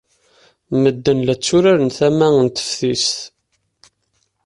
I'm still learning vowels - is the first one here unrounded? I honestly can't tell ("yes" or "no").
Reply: yes